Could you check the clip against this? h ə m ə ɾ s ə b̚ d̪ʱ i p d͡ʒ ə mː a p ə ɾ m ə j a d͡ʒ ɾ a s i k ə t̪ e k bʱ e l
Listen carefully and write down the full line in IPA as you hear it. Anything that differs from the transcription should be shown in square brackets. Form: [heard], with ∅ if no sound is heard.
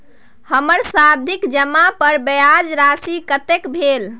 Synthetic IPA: h ə m ə ɾ s [a] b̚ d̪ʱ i [k] d͡ʒ ə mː a p ə ɾ [b] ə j a d͡ʒ ɾ a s i k ə t̪ e k bʱ e l